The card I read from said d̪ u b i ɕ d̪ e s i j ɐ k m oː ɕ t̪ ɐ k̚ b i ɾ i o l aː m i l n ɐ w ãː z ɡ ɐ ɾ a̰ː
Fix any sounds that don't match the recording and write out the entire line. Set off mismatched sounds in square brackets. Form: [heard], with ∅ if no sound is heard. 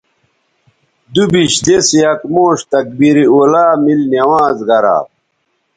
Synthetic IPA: d̪ u b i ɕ d̪ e s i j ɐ k m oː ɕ t̪ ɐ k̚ b i ɾ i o l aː m i l n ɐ w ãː z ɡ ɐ ɾ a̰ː